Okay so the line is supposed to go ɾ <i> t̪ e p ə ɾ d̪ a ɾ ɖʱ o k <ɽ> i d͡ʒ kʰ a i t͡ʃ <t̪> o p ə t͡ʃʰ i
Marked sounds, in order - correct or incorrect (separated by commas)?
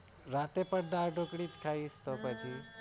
incorrect, correct, correct